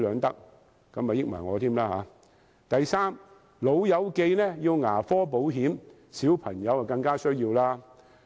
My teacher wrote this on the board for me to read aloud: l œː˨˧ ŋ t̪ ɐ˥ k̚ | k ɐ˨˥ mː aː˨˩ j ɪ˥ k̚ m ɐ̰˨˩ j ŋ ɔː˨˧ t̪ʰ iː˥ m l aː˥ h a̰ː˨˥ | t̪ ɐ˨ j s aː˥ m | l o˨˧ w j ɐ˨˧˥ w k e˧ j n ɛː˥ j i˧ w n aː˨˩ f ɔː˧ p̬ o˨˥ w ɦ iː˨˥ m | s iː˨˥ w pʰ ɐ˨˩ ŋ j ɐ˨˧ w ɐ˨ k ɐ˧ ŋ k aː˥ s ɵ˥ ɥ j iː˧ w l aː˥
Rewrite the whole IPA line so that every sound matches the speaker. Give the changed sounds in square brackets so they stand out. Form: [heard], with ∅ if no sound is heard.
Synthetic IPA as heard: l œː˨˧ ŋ t̪ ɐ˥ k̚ | k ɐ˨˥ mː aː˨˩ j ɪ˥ k̚ m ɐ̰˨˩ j ŋ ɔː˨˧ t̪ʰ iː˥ m l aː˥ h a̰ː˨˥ | t̪ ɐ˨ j s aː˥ m | l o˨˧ w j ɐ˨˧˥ w k e˧ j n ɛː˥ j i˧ w [ŋ] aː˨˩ f [ɔː˥] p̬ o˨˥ w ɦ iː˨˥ m | s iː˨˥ w pʰ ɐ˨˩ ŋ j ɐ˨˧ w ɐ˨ k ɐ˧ ŋ k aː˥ s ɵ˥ ɥ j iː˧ w l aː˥